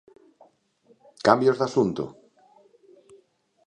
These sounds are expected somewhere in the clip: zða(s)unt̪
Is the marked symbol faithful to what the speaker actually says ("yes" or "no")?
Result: yes